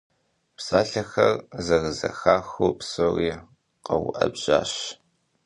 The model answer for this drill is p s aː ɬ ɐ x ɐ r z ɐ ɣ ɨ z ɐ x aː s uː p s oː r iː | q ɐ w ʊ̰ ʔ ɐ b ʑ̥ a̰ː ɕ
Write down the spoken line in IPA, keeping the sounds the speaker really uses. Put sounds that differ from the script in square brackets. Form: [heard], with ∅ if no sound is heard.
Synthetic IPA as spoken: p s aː ɬ ɐ x ɐ r z ɐ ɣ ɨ z ɐ x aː [x] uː p s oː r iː | q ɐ w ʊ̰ ʔ ɐ b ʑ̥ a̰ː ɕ